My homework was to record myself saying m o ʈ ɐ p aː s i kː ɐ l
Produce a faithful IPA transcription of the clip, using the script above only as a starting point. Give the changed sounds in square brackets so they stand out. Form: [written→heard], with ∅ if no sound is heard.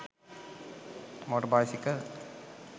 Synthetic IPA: m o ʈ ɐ [p→b] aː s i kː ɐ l